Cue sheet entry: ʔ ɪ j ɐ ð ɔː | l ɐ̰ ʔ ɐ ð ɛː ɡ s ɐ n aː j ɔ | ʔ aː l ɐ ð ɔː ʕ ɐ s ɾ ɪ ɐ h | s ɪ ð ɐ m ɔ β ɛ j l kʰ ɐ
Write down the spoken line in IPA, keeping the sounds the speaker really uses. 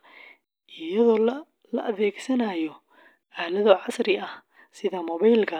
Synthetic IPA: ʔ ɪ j ɐ ð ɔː | l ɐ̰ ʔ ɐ ð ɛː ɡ s ɐ n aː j ɔ | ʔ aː l ɐ ð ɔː ʕ ɑ s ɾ ɪ ɐ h | s ɪ ð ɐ m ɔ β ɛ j l kʰ ɐ